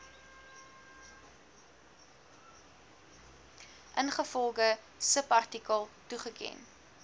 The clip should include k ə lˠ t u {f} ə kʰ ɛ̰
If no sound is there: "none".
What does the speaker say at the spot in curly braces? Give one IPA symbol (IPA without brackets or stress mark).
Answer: χ